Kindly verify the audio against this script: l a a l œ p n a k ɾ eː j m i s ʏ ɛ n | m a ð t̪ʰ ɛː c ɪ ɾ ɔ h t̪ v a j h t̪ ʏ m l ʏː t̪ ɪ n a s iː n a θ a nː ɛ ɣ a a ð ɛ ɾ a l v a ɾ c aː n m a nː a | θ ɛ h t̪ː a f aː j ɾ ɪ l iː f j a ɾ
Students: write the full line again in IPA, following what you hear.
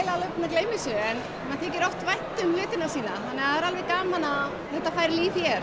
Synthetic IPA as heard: l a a l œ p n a k l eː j m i s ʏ ɛ n | m a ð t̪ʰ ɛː c ɪ ɾ ɔ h t̪ v a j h t̪ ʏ m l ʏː t̪ ɪ n a s iː n a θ a nː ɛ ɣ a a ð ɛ ɾ a l v ɛ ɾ k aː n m a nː a | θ ɛ h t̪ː a f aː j ɾ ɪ l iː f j ɛ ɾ